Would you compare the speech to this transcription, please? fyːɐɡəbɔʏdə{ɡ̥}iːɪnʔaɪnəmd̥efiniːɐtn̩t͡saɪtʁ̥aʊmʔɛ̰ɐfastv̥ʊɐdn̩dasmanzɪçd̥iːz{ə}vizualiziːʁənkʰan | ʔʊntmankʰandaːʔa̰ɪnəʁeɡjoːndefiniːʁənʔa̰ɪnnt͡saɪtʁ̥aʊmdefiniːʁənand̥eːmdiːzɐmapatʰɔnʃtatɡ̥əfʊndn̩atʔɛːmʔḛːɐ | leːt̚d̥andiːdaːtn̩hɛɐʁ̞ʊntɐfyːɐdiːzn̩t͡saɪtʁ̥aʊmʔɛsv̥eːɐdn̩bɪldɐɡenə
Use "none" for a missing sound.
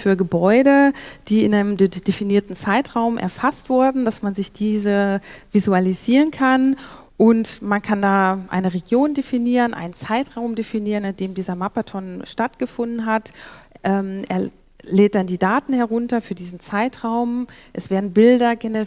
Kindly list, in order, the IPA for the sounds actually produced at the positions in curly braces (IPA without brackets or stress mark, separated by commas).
d̥, ə